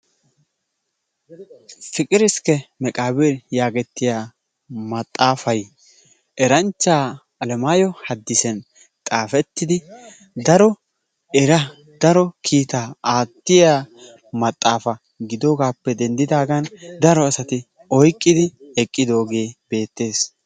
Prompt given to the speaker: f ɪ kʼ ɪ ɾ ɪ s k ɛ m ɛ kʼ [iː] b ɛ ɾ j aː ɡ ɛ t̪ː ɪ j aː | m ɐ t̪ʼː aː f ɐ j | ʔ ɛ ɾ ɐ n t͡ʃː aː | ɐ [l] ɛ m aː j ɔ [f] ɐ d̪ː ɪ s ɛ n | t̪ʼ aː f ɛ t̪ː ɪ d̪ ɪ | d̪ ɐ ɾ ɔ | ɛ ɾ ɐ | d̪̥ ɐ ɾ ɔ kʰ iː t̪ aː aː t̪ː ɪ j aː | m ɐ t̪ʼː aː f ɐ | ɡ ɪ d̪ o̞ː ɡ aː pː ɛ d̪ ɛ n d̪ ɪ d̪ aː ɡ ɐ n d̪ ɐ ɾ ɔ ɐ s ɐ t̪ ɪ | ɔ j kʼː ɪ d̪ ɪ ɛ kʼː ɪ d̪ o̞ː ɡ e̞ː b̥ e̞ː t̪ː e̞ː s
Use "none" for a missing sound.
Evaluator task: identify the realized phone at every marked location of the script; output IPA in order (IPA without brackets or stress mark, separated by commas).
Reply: aː, l, h